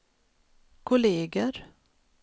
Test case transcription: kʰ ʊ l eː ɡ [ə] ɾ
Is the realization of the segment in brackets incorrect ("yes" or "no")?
no